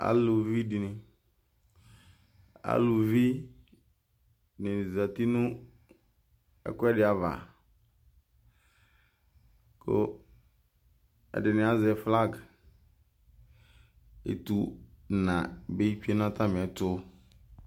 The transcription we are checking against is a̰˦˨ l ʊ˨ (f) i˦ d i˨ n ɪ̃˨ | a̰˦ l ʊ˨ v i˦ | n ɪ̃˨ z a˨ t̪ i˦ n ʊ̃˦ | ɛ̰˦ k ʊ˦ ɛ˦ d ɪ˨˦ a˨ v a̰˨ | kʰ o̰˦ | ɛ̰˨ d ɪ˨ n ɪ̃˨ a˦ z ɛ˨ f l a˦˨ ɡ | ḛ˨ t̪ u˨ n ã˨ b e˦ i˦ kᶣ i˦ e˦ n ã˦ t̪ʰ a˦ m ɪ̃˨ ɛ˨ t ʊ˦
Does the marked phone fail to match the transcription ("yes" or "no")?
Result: yes